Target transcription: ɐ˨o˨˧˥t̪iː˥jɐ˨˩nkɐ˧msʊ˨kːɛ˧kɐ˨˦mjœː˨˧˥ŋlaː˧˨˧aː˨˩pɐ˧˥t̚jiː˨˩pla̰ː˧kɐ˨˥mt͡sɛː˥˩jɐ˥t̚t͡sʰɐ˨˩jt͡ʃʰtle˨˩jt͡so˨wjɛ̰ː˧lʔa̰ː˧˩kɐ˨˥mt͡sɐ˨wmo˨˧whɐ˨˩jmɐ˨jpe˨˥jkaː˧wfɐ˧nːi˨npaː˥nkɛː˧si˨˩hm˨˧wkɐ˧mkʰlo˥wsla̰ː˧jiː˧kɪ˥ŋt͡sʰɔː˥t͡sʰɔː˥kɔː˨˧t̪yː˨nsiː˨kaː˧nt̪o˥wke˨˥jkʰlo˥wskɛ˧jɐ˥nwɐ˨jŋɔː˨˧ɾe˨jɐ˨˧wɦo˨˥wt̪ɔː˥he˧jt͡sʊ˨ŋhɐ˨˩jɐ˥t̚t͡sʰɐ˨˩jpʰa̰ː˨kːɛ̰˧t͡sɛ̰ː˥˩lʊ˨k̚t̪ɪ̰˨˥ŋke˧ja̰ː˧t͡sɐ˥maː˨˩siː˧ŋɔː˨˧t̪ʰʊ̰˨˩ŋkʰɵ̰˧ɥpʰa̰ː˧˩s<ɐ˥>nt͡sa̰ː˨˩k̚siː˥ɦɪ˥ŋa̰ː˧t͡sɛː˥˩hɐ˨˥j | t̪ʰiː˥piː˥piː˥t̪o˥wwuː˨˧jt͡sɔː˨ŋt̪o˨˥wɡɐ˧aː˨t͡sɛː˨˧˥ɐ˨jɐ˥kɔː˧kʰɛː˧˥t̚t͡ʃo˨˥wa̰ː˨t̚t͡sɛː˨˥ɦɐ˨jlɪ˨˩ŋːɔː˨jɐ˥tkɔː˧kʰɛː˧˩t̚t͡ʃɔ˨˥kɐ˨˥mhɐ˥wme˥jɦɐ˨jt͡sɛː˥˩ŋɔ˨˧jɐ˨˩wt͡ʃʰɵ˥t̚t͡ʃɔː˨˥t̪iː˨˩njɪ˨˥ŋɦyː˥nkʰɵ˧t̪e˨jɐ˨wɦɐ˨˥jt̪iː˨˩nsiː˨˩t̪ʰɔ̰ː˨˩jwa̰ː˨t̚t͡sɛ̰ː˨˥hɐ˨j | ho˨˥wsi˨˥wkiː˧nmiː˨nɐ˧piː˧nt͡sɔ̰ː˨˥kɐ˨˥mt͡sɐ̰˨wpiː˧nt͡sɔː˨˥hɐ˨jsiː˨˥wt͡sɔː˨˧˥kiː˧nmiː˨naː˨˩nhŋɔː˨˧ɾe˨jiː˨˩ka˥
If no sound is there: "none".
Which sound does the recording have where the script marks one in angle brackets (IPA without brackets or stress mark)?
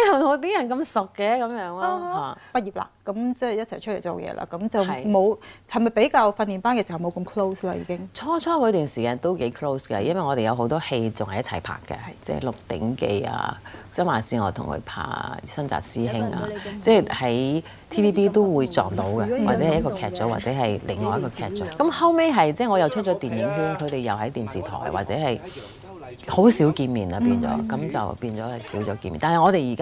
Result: ɐ˥